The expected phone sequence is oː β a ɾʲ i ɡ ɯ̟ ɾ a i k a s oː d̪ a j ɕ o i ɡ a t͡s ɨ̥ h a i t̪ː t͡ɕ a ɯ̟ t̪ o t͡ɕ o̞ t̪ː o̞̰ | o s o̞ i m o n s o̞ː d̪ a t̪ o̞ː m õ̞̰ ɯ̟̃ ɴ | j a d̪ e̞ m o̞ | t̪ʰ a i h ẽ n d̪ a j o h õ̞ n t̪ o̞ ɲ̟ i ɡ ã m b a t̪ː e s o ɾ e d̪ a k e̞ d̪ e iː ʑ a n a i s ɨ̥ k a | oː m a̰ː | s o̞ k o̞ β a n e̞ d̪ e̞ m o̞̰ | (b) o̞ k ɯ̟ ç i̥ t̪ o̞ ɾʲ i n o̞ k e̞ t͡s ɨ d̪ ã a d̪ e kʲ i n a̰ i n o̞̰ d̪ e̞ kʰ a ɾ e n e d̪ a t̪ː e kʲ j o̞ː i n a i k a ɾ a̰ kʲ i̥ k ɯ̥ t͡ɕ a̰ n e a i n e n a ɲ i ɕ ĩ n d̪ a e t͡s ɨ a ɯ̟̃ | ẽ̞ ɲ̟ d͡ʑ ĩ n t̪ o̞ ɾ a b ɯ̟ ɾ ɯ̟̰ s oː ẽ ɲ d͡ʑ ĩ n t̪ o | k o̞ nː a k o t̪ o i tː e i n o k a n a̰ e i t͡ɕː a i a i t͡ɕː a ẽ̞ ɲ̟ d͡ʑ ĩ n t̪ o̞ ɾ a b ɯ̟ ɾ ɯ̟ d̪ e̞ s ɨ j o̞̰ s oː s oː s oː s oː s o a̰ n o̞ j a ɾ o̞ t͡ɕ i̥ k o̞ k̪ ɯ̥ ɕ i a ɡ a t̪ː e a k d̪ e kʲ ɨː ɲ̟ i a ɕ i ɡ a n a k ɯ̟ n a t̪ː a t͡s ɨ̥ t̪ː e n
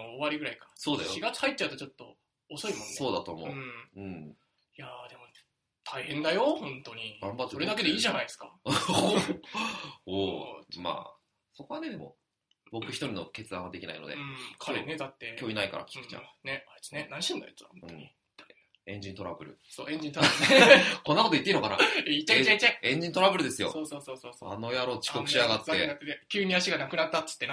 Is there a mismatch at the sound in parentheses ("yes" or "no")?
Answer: no